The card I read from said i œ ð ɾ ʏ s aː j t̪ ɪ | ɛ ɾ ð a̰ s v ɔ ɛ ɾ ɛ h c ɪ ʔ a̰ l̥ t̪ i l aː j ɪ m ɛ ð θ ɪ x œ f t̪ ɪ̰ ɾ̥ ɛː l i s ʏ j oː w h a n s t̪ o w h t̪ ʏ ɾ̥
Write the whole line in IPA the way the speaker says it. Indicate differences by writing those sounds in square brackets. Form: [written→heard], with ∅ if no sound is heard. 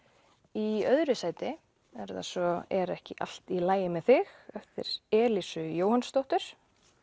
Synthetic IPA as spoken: i œ ð ɾ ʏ s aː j t̪ ɪ | ɛ ɾ ð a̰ s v ɔ ɛ ɾ ɛ h c ɪ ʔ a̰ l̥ t̪ i l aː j ɪ m ɛ ð θ ɪ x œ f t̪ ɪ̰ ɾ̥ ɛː l i s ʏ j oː w h a n s t̪ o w h t̪ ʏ ɾ̥